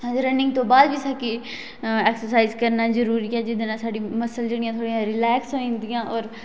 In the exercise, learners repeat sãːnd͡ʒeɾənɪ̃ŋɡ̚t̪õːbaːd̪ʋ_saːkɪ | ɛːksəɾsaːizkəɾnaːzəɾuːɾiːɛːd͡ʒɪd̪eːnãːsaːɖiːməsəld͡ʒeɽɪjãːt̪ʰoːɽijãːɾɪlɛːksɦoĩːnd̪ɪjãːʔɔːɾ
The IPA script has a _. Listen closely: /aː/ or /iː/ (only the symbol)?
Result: iː